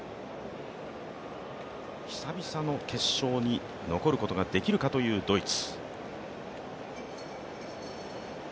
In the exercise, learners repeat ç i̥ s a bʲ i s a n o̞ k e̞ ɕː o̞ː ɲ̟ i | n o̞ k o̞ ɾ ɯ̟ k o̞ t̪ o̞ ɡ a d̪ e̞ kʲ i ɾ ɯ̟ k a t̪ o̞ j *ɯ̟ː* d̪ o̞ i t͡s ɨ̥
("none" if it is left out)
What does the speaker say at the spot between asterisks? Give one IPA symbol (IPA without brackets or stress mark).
ɯ̟ː